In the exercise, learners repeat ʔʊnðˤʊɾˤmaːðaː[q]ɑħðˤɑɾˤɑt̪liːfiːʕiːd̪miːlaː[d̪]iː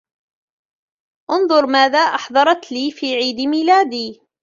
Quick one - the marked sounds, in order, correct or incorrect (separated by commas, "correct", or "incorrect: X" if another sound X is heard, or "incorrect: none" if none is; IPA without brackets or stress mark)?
incorrect: ʔ, correct